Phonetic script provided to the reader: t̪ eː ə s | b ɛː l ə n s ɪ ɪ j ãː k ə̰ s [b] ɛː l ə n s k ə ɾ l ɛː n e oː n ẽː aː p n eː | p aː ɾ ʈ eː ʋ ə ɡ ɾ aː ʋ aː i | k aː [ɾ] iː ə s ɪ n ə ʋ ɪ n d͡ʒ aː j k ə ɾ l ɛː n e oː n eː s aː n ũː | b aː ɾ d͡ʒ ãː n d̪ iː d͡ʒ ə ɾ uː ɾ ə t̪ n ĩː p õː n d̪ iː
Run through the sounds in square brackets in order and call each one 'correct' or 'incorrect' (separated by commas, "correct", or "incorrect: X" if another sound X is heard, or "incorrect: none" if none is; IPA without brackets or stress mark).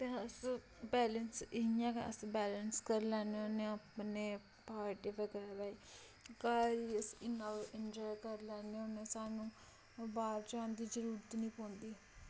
correct, correct